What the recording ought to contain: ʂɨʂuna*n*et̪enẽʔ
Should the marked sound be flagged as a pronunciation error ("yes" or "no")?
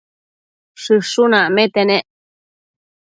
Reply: yes